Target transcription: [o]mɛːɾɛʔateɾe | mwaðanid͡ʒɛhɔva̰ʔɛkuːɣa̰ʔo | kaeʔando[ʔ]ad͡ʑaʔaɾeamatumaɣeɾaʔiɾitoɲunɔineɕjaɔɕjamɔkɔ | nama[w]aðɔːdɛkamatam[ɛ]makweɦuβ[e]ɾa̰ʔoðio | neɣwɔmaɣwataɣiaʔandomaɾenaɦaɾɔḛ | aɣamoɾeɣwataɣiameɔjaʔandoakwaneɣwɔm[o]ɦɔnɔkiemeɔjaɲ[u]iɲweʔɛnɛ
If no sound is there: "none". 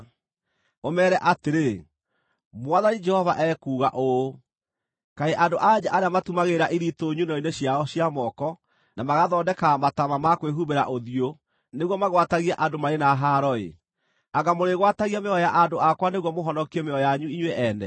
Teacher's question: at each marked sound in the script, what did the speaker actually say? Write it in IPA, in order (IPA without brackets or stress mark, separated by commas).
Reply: o, ʔ, ɣ, a, e, o, u